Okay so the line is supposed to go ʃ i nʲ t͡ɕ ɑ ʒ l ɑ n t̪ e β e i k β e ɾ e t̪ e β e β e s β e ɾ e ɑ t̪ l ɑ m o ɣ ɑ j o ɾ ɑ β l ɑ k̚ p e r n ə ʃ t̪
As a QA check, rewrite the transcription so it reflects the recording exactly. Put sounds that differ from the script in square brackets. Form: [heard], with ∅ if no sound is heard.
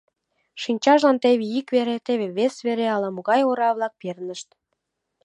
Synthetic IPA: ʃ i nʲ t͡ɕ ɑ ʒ l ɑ n t̪ e β e i k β e ɾ e t̪ e β e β e s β e ɾ e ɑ [∅] l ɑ m o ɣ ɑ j o ɾ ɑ β l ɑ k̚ p e r n ə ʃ t̪